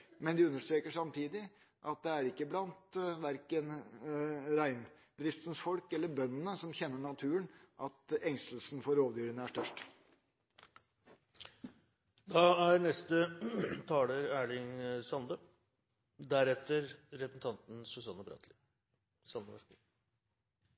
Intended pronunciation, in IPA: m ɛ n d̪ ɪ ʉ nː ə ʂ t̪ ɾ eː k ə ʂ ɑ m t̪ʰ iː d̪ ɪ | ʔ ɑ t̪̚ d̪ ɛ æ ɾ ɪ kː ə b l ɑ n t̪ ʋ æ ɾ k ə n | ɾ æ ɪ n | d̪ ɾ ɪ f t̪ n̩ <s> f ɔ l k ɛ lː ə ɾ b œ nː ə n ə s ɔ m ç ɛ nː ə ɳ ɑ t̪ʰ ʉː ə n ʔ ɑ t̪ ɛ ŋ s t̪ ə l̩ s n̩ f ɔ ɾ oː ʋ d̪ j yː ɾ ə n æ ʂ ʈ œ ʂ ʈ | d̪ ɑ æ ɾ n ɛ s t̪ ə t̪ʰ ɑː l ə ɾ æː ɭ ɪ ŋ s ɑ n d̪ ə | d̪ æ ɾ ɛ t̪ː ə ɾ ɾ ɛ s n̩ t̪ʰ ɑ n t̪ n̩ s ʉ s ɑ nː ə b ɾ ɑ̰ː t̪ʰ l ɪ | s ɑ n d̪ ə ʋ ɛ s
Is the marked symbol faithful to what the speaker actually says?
yes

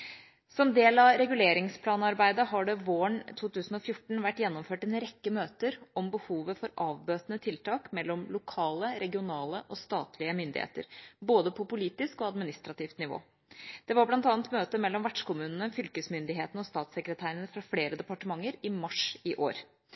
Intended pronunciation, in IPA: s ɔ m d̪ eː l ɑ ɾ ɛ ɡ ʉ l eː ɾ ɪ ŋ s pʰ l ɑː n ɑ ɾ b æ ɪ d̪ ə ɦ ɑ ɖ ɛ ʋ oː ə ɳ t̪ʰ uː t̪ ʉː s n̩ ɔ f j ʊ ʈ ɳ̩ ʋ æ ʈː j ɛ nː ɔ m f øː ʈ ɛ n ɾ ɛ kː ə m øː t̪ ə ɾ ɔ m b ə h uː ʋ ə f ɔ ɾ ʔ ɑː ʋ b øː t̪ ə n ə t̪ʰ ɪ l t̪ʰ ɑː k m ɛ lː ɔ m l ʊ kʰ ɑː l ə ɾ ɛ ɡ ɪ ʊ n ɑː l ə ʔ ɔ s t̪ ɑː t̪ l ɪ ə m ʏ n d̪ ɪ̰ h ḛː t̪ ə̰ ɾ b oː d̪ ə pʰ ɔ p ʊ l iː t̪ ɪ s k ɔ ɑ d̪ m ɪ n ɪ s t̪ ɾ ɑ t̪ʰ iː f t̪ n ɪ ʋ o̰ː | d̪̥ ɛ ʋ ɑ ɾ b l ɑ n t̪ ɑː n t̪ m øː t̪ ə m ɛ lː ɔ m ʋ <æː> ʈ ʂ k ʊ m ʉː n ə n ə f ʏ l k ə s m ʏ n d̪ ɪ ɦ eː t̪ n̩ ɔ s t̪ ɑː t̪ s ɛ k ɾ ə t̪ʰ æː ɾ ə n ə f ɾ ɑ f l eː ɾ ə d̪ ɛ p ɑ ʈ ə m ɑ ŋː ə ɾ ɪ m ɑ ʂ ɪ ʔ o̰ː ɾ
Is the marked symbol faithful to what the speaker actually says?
no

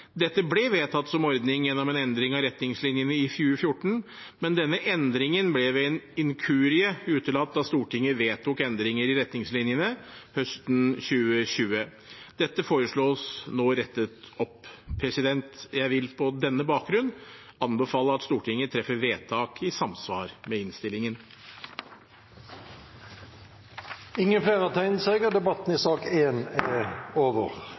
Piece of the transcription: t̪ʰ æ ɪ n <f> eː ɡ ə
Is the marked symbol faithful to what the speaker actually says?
no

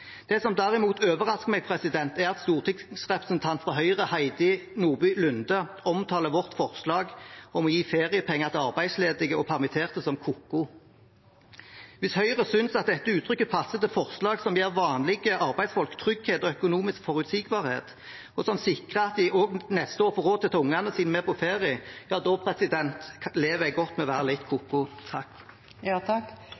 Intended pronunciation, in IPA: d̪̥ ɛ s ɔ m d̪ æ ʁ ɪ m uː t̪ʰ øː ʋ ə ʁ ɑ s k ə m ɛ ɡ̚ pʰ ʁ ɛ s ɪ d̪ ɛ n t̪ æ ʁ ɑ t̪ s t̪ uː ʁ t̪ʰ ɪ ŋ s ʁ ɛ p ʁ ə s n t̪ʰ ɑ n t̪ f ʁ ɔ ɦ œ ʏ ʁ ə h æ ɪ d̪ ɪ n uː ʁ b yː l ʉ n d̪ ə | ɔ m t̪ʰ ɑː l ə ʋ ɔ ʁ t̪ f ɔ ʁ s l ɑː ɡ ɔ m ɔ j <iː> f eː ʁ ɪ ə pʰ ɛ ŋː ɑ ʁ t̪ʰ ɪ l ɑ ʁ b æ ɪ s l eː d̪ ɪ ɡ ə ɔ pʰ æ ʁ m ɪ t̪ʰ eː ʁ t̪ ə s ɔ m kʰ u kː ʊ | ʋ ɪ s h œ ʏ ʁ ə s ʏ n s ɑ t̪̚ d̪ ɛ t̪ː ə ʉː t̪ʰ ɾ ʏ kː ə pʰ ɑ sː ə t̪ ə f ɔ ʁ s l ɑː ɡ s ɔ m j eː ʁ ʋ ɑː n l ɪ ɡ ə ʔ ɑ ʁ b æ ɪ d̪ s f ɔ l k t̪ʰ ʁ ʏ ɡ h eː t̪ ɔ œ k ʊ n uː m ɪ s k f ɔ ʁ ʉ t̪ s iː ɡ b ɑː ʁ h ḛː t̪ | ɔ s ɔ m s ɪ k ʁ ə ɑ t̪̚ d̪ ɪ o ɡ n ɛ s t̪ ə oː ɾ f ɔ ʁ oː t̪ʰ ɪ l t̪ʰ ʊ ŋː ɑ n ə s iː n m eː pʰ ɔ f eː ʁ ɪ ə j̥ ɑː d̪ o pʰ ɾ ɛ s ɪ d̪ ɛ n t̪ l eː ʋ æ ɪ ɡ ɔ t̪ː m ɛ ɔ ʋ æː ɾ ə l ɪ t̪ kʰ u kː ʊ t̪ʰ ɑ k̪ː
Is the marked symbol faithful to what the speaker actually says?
yes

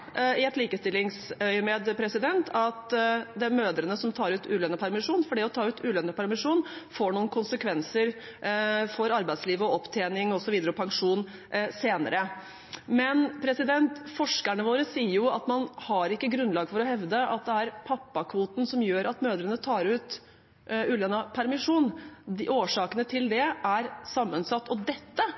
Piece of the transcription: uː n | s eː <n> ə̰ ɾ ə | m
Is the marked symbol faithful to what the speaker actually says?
yes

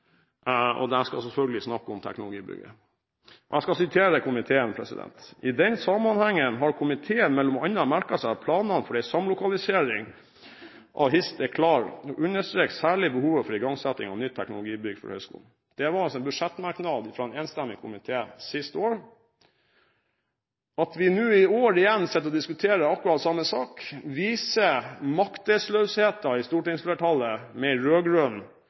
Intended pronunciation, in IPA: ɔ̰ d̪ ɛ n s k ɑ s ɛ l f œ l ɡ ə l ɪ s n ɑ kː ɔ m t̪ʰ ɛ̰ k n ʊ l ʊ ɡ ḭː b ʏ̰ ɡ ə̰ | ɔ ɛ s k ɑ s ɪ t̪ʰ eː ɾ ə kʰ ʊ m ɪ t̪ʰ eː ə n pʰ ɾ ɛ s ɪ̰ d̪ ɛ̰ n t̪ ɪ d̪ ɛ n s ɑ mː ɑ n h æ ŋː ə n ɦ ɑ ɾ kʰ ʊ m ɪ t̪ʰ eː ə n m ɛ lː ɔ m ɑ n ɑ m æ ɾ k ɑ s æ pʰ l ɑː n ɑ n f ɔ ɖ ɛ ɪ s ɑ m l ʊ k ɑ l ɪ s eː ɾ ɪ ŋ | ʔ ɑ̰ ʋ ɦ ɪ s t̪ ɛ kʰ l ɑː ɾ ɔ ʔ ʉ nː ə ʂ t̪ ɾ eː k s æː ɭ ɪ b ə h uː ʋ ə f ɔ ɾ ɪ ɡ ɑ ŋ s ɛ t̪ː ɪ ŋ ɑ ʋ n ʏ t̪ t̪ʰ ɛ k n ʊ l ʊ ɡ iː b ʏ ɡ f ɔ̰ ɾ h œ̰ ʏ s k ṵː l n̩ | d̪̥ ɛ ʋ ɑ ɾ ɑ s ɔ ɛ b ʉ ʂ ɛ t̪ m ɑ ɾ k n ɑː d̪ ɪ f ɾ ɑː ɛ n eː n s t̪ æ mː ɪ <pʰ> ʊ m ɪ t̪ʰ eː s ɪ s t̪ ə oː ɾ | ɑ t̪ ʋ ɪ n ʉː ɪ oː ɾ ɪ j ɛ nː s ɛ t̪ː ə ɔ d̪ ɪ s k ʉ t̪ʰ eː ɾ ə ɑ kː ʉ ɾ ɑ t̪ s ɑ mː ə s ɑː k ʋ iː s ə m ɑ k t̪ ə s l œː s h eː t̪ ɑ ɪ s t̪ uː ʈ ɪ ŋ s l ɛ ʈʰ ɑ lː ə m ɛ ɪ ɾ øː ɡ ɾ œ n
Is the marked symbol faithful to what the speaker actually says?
no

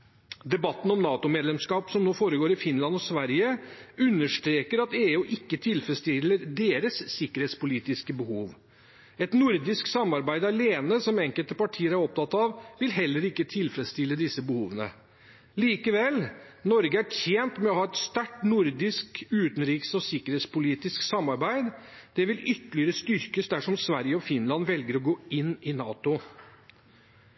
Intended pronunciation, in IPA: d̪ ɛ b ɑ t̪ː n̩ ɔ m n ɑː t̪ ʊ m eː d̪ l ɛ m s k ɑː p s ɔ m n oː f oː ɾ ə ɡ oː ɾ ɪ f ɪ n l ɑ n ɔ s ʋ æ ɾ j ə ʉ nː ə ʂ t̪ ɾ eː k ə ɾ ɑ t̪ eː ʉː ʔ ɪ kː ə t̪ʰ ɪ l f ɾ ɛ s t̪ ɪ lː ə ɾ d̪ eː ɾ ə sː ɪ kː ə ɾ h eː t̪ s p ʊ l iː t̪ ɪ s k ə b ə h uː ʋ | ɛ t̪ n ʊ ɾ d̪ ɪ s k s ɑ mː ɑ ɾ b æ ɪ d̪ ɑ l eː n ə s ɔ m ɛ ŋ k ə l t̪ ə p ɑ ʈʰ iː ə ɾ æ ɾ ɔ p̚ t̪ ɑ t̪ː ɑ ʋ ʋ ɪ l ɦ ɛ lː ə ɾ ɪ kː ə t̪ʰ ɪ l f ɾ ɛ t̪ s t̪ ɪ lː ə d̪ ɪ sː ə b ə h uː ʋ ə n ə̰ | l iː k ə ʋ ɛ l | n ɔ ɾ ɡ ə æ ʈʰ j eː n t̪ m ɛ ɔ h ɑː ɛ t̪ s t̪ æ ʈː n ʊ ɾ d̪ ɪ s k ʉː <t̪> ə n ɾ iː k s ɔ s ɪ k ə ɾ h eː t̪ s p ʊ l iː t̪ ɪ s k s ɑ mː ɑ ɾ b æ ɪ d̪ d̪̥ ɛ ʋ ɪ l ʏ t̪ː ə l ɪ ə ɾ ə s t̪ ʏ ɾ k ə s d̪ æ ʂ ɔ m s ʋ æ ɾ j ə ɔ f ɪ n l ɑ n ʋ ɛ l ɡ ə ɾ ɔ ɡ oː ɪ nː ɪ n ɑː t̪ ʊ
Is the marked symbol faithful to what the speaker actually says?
yes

